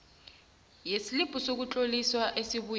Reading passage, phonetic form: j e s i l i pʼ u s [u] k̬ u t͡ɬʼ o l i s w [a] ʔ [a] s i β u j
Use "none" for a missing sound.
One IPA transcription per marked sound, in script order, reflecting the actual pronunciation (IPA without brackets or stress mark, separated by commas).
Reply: o, a, e